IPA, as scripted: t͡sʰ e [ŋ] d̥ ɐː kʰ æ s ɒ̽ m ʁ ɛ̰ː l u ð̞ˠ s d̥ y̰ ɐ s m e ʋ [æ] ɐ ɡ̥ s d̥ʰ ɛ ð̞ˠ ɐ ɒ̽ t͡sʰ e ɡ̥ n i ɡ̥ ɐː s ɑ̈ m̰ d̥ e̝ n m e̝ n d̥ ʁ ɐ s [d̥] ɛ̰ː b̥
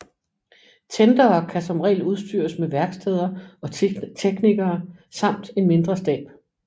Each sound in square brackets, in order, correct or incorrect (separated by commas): incorrect, correct, correct